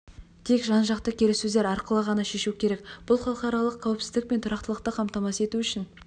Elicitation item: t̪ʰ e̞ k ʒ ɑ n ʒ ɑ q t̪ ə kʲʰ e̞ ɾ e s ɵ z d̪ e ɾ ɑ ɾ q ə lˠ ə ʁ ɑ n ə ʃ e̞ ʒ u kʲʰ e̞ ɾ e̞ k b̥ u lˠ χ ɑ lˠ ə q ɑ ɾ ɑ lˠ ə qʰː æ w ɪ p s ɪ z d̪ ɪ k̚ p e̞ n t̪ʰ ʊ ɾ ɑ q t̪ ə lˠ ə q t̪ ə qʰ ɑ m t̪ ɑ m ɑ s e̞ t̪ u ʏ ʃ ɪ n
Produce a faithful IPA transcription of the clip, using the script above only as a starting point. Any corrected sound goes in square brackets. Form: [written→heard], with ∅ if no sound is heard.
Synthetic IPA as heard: t̪ʰ e̞ k ʒ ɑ n ʒ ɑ q t̪ ə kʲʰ e̞ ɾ e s ɵ z d̪ e ɾ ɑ ɾ q ə lˠ ə ʁ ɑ n [ə→ɑ] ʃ e̞ [ʒ→ʃ] u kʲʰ e̞ ɾ e̞ k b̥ [u→ʊ] lˠ χ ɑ lˠ ə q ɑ ɾ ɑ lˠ ə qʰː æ w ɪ p s ɪ z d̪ ɪ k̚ p e̞ n t̪ʰ ʊ ɾ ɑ q t̪ ə lˠ ə q t̪ ə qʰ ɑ m t̪ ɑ m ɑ s e̞ t̪ u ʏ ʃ ɪ n